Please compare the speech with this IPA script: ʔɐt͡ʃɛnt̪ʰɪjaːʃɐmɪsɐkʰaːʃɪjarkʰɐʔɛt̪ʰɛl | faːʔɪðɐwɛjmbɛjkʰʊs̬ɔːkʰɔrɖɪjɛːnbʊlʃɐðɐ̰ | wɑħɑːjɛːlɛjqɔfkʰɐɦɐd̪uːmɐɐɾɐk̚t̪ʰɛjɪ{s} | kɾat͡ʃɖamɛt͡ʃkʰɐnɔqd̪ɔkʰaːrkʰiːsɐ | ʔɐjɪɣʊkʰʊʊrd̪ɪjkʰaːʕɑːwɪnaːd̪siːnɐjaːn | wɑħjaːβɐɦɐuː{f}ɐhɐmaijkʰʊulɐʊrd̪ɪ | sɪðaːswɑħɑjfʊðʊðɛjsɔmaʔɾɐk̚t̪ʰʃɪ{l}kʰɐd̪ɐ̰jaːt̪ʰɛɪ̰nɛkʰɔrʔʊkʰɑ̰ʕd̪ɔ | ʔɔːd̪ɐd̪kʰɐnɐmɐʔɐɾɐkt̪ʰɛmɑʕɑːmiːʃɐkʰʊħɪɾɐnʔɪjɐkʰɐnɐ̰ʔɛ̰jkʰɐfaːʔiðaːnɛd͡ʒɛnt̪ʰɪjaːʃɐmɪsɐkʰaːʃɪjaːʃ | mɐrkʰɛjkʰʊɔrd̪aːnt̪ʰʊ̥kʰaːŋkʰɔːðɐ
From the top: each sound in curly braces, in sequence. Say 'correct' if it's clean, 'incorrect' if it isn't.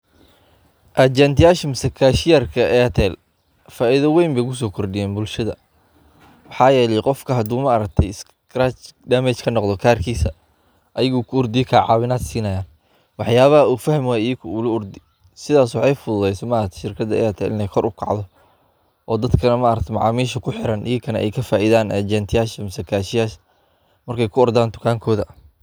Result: correct, correct, incorrect: r

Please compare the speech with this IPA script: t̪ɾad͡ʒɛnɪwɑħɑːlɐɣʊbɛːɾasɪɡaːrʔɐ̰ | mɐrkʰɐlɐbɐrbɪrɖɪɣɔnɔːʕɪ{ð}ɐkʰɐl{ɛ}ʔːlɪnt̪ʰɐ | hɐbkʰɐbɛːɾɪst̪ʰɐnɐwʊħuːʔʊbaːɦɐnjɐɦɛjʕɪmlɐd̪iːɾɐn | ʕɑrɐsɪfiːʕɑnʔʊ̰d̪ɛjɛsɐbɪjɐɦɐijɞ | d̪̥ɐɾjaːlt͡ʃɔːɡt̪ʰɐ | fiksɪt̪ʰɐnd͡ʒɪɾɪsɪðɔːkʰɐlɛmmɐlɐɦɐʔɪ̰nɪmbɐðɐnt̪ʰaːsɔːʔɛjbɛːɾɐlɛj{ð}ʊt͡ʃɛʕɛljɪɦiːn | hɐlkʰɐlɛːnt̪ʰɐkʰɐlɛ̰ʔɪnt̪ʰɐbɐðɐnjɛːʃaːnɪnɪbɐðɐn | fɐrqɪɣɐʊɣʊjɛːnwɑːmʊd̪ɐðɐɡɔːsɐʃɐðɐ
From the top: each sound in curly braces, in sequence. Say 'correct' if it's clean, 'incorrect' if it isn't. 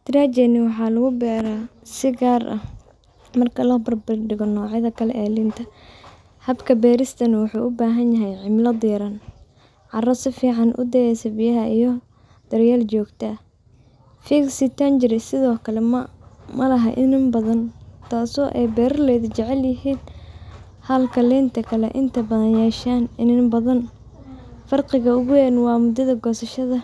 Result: correct, correct, correct

